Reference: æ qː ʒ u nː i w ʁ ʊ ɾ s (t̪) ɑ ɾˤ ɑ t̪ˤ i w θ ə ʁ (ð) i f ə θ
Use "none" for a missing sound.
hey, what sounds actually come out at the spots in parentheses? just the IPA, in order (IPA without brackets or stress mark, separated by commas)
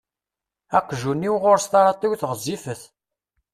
t̪, z